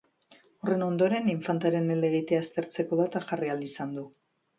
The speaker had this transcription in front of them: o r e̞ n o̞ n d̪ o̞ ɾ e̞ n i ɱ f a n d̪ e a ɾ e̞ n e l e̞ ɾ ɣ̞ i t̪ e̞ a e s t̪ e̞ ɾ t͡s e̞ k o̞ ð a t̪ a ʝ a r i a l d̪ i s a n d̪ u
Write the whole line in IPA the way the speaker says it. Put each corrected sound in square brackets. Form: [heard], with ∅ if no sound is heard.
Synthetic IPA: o r e̞ n o̞ n d̪ o̞ ɾ e̞ n i ɱ f a n [t̪] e a ɾ e̞ n e l e̞ [∅] ɣ̞ i t̪ e̞ a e s t̪ e̞ ɾ t͡s e̞ k o̞ ð a t̪ a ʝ a r i a l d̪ i s a n d̪ u